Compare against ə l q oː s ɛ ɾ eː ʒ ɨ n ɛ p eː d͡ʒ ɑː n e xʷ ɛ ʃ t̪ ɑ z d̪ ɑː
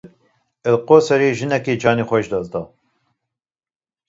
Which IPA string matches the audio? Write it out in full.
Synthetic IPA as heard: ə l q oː s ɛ ɾ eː ʒ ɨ n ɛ k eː d͡ʒ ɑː n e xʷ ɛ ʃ d̪ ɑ z d̪ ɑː